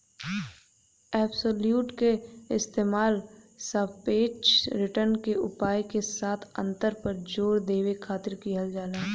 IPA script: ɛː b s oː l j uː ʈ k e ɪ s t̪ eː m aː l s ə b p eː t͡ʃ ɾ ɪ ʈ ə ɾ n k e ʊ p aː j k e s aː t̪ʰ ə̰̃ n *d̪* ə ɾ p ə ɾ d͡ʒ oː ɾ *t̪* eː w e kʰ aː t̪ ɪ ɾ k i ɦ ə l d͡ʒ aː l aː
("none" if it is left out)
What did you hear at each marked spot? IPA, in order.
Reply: t̪, d̪

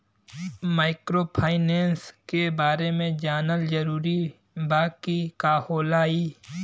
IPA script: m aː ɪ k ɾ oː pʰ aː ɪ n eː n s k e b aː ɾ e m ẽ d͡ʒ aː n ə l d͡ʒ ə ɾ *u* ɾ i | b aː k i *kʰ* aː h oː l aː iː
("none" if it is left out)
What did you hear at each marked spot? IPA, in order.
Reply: uː, k

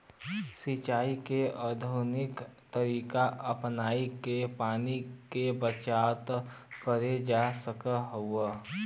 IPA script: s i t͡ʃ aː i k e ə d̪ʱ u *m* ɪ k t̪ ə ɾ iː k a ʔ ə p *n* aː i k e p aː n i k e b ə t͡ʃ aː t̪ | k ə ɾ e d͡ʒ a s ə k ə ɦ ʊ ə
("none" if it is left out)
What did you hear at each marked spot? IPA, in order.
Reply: n, n

